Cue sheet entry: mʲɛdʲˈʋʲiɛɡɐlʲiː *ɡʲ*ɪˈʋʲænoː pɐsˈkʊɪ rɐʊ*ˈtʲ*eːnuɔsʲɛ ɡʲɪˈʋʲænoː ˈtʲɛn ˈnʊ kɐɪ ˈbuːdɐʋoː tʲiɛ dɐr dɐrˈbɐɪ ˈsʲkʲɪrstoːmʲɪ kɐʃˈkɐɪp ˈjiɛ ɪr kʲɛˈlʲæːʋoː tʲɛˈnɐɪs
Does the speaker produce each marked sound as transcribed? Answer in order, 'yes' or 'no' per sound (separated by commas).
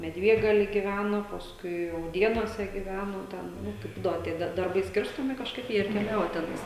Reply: yes, no